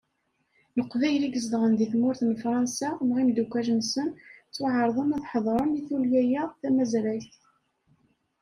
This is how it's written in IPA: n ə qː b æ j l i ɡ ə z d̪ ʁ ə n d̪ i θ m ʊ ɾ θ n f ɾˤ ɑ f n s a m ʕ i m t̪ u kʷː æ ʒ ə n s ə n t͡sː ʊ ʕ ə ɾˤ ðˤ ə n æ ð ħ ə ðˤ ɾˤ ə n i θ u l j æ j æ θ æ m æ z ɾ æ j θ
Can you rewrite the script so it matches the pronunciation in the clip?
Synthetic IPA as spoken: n ə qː v æ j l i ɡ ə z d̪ ʁ ə n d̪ i θ m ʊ ɾ θ n f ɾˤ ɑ n s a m ʁ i m d̪ u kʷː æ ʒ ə n s ə n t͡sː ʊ ʕ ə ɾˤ ðˤ ə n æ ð ħ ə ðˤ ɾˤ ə n i θ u l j æ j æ θ æ m æ z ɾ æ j θ